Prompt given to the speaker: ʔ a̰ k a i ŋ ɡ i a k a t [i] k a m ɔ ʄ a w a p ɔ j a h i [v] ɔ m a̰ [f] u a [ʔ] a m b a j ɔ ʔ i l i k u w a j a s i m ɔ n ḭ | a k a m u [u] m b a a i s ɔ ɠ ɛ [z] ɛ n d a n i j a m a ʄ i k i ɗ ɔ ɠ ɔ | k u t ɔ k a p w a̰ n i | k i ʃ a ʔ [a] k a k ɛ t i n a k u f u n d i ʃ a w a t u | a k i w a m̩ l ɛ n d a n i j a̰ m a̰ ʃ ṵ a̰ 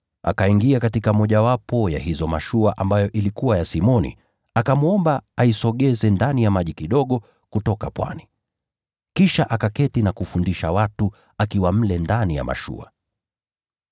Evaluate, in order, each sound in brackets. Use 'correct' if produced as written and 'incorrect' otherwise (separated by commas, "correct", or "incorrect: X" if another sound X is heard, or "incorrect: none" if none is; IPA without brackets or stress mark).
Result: correct, incorrect: z, incorrect: ʃ, correct, incorrect: ɔ, correct, correct